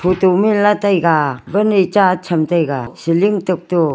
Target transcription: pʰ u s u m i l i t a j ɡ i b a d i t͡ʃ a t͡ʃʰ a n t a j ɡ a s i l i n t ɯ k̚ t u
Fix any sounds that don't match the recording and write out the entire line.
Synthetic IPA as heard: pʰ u t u m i l a t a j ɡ a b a n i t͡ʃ a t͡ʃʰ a m t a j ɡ a s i l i ŋ t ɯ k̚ t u